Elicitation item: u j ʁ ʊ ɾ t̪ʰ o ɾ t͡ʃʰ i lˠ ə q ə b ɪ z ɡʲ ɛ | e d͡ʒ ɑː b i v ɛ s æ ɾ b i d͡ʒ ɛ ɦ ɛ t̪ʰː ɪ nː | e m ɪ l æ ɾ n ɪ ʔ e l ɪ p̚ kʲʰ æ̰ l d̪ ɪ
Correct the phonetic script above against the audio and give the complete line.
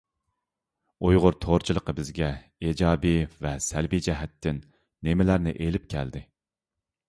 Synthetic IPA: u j ʁ ʊ ɾ t̪ʰ o ɾ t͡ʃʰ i lˠ ə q ə b ɪ z ɡʲ ɛ | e d͡ʒ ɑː b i v ɛ s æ l b i d͡ʒ ɛ ɦ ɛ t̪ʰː ɪ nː | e m ɪ l æ ɾ n ɪ ʔ e l ɪ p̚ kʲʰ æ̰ l d̪ ɪ